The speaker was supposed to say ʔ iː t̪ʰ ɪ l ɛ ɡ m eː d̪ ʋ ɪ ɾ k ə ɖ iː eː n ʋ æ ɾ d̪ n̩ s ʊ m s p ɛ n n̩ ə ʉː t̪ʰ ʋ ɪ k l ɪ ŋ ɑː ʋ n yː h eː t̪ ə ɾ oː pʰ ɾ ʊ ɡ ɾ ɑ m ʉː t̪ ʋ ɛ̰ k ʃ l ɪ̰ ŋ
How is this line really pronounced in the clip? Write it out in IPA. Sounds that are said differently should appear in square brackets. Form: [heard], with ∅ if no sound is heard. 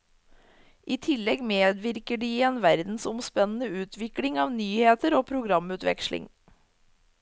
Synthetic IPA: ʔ iː t̪ʰ ɪ l ɛ ɡ m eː d̪ ʋ ɪ ɾ k ə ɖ iː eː n ʋ æ ɾ d̪ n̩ s ʊ m s p ɛ n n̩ ə ʉː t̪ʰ ʋ ɪ k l ɪ ŋ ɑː ʋ n yː h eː t̪ ə ɾ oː pʰ ɾ ʊ ɡ ɾ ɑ m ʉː t̪ ʋ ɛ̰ k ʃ l ɪ̰ ŋ